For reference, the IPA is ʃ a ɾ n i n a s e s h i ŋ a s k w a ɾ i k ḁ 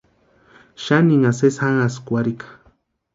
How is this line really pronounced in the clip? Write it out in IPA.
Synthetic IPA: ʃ a n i ŋ a s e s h a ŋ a s k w a ɾ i k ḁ